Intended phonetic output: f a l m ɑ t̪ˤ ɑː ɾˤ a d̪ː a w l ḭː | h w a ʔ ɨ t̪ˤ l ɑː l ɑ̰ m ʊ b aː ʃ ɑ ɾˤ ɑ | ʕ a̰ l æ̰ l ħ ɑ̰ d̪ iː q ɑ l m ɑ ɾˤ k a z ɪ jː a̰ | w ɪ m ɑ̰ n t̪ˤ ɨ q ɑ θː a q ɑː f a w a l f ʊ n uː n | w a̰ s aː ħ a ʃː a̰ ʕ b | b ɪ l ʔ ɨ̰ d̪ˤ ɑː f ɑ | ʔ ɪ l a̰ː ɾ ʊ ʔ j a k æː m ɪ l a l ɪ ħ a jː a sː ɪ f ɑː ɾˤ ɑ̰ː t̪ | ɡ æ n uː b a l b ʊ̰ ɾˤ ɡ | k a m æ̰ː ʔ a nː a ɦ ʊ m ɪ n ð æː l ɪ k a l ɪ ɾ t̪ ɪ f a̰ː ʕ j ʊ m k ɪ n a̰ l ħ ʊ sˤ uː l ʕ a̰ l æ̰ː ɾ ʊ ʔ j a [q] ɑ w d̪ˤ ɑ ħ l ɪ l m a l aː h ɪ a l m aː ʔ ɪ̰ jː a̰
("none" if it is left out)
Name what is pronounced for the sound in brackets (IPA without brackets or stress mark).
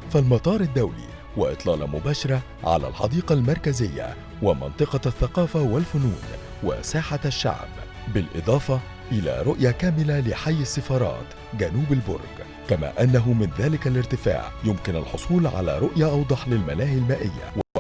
ʔ